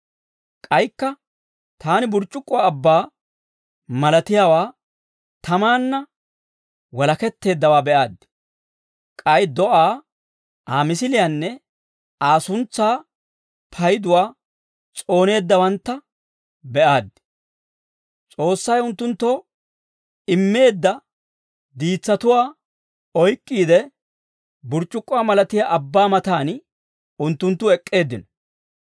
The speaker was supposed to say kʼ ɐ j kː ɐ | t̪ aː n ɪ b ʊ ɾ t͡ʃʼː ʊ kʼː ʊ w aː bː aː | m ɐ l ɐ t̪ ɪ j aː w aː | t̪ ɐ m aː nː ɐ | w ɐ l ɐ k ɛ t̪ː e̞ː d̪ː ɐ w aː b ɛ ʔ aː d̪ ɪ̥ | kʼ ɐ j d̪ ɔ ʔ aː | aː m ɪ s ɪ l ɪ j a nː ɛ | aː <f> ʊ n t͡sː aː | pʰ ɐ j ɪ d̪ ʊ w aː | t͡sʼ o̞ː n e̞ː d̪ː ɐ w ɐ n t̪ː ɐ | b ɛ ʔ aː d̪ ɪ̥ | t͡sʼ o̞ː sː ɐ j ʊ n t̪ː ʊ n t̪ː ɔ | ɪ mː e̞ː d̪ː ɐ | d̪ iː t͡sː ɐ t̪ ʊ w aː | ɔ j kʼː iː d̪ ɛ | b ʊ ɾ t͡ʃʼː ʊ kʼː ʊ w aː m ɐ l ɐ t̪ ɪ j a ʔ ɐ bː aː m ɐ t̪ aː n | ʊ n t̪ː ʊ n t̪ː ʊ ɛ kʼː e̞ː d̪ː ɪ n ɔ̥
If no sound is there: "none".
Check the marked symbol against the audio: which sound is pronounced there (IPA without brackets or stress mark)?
s